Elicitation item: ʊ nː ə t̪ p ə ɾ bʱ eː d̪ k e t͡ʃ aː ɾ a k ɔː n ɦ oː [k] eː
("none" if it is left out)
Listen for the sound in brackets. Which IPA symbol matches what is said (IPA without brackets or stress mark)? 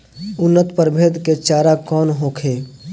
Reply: kʰ